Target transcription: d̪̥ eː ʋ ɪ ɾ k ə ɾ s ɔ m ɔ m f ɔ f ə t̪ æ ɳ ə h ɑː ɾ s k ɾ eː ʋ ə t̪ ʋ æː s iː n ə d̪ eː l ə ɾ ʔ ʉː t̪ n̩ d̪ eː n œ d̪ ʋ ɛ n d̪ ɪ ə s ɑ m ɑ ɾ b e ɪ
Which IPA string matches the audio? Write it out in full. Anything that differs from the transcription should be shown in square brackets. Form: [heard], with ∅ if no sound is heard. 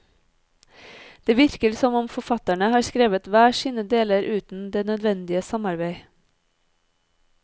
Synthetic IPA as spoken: d̪̥ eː ʋ ɪ ɾ k ə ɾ s ɔ m ɔ m f ɔ f [ɑ] t̪ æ ɳ ə h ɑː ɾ s k ɾ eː ʋ ə t̪ ʋ æː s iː n ə d̪ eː l ə ɾ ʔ ʉː t̪ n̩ d̪ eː n œ d̪ ʋ ɛ n d̪ ɪ ə s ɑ m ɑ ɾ b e ɪ